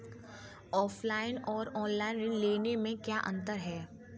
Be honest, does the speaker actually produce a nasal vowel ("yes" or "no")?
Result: yes